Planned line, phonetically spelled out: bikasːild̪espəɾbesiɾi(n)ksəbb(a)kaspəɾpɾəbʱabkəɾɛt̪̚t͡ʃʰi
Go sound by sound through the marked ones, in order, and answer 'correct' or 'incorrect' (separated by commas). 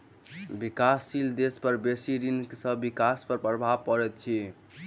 correct, incorrect